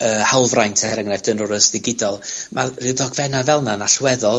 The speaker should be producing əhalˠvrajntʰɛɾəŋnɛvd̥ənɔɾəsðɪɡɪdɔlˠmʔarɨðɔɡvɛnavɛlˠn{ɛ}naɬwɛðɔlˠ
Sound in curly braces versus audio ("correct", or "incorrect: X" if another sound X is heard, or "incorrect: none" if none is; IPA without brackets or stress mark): incorrect: a